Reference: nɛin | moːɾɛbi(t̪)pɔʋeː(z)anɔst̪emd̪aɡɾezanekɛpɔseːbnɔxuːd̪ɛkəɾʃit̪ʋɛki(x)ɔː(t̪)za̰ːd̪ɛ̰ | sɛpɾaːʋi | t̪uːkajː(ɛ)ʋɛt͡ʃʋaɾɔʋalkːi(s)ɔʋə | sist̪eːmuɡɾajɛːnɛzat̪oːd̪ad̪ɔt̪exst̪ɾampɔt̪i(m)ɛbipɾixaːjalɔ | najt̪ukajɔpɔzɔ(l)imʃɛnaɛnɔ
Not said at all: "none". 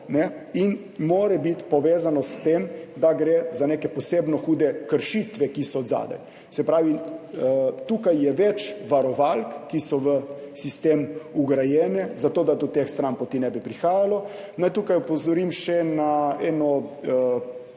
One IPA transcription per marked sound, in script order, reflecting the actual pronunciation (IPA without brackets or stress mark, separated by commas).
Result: t̪, z, s, d̪, ɛ, s, n, ɾ